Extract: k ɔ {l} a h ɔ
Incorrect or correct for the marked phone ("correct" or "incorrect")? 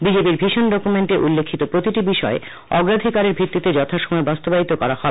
incorrect